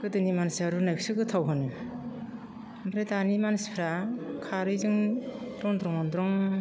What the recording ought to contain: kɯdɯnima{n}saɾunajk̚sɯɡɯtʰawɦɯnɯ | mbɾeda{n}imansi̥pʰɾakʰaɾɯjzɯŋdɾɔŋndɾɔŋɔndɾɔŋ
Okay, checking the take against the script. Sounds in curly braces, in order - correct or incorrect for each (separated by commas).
correct, correct